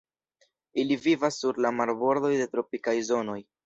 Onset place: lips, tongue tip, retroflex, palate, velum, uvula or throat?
tongue tip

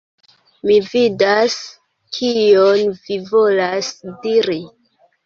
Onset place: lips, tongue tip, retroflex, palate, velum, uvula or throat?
lips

